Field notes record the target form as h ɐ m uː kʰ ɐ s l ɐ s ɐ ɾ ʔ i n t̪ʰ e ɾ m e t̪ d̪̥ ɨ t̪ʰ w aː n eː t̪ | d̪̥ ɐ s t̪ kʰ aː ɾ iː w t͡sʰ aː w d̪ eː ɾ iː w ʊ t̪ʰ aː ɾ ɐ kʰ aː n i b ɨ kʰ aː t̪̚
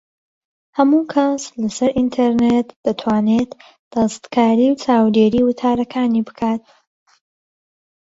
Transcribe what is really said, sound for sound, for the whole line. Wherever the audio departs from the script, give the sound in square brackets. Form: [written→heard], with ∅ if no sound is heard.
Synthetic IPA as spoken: h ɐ m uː kʰ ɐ s l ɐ s ɐ ɾ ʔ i n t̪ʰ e ɾ [m→n] e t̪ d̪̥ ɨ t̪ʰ w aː n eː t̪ | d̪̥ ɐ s t̪ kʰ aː ɾ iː w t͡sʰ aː w d̪ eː ɾ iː w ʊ t̪ʰ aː ɾ ɐ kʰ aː n i b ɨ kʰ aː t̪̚

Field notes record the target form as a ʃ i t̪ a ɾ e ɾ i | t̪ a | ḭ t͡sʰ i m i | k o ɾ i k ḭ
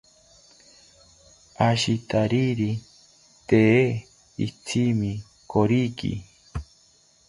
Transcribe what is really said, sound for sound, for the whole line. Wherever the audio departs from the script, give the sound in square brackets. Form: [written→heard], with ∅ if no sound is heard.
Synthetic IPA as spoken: a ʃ i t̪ a ɾ [e→i] ɾ i | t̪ [a→e] | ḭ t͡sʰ i m i | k o ɾ i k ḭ

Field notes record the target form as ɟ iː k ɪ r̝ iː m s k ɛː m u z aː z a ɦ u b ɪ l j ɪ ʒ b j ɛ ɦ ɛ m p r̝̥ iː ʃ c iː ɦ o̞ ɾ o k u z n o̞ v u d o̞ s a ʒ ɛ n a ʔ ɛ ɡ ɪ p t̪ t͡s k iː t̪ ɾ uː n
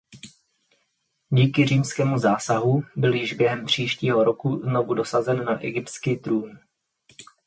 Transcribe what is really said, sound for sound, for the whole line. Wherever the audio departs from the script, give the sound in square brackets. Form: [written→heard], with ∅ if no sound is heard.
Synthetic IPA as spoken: ɟ iː k ɪ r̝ iː m s k ɛː m u z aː [z→s] a ɦ u b ɪ l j ɪ ʒ b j ɛ ɦ ɛ m p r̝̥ iː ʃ c iː ɦ o̞ ɾ o k u z n o̞ v u d o̞ s a [ʒ→z] ɛ [n→nː] a ʔ ɛ ɡ ɪ p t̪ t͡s k iː t̪ ɾ uː n

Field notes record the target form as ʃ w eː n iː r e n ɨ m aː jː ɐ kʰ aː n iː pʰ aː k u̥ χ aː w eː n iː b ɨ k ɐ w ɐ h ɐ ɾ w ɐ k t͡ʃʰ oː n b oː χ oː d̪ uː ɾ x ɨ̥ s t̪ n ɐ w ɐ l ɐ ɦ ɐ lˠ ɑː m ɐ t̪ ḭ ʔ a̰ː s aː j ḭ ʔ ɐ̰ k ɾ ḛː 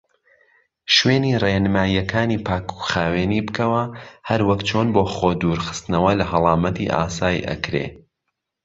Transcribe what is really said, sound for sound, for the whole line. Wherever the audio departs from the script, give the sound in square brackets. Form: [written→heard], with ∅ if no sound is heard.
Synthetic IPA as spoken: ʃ w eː n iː r e n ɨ m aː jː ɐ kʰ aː n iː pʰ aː k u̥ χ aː w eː n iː b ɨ k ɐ w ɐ h ɐ ɾ w ɐ k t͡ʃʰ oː n b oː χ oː d̪ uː ɾ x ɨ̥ s t̪ n ɐ w ɐ l ɐ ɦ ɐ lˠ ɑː m ɐ t̪ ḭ ʔ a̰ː s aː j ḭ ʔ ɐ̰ k ɾ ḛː

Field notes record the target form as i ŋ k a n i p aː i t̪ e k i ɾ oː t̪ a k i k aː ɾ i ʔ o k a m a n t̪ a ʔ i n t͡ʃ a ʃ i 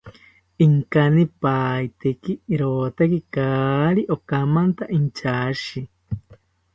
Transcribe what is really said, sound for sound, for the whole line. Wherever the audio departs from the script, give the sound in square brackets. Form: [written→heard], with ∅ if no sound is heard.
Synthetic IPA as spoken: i ŋ k a n i p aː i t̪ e k i ɾ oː t̪ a k i k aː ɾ i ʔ o k a m a n t̪ a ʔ i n t͡ʃ a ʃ i

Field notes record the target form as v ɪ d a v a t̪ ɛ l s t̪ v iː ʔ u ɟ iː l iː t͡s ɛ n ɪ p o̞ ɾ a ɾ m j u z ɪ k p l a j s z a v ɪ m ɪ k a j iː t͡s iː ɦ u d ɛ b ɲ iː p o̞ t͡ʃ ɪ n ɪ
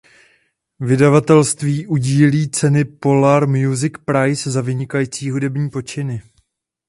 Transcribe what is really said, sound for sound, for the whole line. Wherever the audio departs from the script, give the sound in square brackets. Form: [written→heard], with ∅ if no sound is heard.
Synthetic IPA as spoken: v ɪ d a v a t̪ ɛ l s t̪ v iː ʔ u ɟ iː l iː t͡s ɛ n ɪ p o̞ [ɾ→l] a ɾ m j u z ɪ k p [l→ɾ] a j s z a v ɪ [m→ɲ] ɪ k a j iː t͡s iː ɦ u d ɛ b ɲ iː p o̞ t͡ʃ ɪ n ɪ

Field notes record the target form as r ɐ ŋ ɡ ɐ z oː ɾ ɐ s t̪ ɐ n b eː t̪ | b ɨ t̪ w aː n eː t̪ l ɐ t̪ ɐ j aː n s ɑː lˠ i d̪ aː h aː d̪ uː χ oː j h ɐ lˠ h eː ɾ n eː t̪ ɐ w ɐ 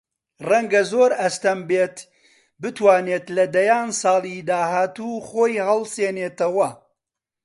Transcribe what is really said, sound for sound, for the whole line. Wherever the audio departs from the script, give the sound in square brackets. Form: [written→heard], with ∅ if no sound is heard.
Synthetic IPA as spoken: r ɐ ŋ ɡ ɐ z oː ɾ ɐ s t̪ ɐ [n→m] b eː t̪ | b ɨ t̪ w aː n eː t̪ l ɐ [t̪→d̪] ɐ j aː n s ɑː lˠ i d̪ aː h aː [d̪→t̪] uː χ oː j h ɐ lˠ [h→s] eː [ɾ→∅] n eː t̪ ɐ w ɐ

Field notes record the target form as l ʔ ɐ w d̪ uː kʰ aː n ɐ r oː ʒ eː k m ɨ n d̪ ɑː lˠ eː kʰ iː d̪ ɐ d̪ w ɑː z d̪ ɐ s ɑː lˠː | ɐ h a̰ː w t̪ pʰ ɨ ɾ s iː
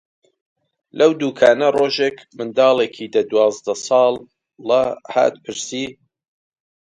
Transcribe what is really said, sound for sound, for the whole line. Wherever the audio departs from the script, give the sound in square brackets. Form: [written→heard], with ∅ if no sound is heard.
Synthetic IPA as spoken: l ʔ ɐ w d̪ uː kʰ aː n ɐ r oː ʒ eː k m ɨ n d̪ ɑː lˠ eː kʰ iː d̪ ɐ d̪ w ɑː z d̪ ɐ s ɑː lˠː | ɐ h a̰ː [w→∅] t̪ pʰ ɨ ɾ s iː

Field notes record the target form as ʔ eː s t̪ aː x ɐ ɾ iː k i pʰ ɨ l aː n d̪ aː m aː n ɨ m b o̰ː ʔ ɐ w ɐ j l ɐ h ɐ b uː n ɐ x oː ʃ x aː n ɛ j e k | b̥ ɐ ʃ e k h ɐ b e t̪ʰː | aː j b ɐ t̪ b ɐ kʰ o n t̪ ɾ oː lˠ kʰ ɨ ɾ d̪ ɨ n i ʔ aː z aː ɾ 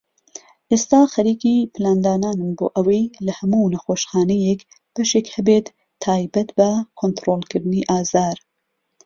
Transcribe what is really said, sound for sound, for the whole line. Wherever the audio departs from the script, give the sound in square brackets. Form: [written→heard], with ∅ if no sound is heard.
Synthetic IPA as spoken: ʔ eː s t̪ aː x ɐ ɾ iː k i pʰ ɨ l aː n d̪ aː [m→n] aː n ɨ m b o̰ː ʔ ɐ w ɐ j l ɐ h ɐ [b→m] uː n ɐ x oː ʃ x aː n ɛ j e k | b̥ ɐ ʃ e k h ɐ b e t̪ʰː | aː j b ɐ t̪ b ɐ kʰ o n t̪ ɾ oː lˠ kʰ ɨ ɾ d̪ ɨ n i ʔ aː z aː ɾ

